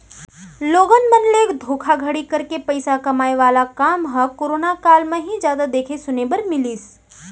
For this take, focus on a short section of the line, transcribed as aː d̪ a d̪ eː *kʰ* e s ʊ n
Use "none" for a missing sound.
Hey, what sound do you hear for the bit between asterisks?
kʰ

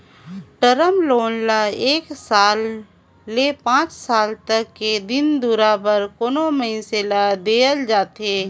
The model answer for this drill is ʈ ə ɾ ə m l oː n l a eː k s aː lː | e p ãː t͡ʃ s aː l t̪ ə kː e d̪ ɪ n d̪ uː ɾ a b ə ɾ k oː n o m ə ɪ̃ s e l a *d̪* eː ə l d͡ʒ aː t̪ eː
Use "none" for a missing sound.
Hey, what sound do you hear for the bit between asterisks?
d̪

